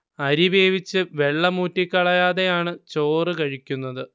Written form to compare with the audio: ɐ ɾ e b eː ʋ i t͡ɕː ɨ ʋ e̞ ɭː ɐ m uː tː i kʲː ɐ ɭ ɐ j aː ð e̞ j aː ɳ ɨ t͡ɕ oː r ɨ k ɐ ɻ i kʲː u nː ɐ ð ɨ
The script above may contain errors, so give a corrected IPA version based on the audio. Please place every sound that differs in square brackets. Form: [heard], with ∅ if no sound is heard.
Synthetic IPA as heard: ɐ ɾ [i] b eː ʋ i t͡ɕː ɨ ʋ e̞ ɭː ɐ m uː tː i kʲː ɐ ɭ ɐ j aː ð e̞ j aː ɳ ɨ t͡ɕ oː r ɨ k ɐ ɻ i kʲː u nː ɐ ð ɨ